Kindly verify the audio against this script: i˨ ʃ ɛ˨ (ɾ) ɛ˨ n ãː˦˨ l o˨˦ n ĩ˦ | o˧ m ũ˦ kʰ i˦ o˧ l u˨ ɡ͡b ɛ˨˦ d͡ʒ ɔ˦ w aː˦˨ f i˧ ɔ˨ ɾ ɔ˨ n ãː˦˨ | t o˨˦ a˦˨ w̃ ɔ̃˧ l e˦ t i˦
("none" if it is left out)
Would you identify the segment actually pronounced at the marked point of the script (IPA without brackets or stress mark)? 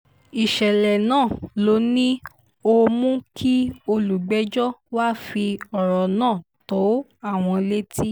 l